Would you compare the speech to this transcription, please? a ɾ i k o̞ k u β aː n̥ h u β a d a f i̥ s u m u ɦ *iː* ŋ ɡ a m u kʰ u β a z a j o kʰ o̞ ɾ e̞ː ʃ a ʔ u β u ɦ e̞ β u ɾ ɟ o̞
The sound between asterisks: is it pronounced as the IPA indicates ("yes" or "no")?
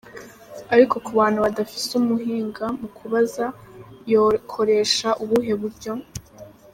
yes